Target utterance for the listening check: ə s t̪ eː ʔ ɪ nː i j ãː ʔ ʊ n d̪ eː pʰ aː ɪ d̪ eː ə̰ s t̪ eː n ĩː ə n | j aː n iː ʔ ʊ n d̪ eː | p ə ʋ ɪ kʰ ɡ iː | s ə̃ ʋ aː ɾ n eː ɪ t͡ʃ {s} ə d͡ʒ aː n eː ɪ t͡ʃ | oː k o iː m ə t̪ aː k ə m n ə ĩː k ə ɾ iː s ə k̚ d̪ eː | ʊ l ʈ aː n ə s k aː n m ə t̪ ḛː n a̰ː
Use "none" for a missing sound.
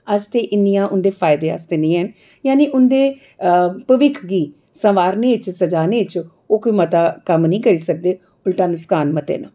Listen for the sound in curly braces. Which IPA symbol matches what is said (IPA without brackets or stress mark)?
s